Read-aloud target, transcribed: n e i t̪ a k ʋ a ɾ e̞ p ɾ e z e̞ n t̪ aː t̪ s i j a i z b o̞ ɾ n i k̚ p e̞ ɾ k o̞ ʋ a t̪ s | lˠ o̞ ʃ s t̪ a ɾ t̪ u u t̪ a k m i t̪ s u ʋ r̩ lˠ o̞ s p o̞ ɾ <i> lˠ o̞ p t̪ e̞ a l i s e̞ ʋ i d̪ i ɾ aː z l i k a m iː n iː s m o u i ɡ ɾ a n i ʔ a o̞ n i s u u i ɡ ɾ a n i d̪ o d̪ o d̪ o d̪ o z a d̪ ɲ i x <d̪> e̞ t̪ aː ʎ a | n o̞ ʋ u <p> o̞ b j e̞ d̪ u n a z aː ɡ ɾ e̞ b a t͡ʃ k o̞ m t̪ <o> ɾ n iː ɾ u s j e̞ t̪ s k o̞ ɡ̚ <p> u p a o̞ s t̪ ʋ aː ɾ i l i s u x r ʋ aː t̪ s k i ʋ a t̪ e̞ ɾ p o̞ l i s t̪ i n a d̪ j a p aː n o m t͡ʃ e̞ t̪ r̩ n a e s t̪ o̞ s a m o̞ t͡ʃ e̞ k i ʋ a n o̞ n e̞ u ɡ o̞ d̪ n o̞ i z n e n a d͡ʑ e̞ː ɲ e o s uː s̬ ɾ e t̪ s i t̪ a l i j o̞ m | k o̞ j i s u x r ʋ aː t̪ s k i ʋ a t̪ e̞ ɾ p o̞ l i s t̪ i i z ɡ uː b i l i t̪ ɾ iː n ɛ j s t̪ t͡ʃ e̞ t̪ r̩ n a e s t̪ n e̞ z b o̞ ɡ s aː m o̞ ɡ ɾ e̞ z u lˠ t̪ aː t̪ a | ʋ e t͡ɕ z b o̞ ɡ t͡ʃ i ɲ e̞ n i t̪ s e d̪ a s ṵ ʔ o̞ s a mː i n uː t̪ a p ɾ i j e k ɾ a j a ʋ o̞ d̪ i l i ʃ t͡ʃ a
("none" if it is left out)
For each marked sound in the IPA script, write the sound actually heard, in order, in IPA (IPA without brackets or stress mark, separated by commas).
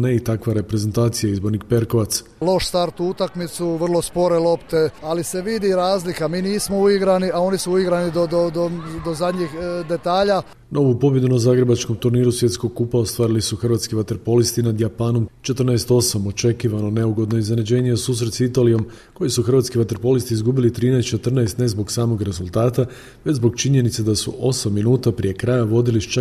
e, d̪, p, u, k